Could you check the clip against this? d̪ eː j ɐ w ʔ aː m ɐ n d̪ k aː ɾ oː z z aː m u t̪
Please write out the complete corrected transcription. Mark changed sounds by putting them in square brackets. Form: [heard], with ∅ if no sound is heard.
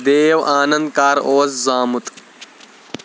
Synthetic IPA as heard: d̪ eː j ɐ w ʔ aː [n] ɐ n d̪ k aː ɾ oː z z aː m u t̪